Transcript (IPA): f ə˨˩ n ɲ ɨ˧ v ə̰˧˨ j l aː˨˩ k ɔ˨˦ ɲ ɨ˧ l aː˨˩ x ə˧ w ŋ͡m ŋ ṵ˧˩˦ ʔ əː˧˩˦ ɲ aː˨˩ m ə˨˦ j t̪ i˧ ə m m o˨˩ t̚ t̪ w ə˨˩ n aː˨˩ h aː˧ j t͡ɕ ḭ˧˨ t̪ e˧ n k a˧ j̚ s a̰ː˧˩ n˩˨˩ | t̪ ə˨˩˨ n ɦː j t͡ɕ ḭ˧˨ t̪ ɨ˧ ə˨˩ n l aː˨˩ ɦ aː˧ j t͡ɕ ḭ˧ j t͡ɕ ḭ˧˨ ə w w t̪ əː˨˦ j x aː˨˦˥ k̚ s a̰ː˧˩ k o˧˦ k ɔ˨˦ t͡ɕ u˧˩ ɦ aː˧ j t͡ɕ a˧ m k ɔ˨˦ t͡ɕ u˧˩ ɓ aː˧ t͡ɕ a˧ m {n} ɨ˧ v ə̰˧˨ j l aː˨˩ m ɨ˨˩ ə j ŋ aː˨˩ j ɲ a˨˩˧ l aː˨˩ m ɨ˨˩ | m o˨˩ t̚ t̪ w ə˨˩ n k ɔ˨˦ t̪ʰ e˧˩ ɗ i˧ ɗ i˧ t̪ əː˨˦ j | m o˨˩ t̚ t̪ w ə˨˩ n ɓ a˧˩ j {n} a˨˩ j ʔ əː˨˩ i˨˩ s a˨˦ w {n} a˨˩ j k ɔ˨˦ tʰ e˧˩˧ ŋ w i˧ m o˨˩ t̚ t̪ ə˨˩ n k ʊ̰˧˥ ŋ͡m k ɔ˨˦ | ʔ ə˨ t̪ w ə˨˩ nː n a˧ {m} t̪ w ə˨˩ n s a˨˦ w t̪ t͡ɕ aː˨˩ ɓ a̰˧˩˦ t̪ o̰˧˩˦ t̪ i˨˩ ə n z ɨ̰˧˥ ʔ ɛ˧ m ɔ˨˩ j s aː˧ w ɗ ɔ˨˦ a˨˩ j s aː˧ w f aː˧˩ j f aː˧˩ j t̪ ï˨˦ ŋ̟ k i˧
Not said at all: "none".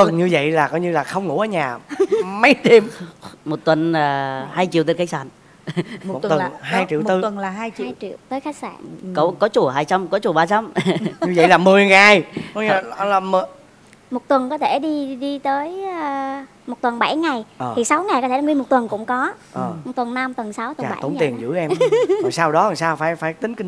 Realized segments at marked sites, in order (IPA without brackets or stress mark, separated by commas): ɲ, ŋ, ŋ, m